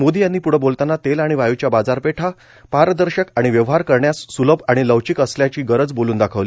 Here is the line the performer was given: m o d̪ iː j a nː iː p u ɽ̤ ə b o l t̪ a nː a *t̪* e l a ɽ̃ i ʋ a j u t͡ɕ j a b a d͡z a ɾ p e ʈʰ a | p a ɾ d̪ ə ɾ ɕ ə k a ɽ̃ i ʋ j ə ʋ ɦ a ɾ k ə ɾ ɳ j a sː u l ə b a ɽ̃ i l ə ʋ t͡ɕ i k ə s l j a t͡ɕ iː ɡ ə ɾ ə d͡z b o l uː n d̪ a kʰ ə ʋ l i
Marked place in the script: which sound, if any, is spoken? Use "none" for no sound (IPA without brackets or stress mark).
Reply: t̪